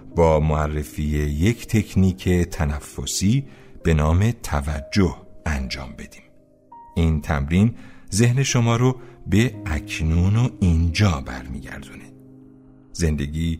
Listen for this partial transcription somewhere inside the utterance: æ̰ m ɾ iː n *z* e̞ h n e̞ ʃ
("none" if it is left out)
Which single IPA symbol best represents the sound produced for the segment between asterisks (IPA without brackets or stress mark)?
z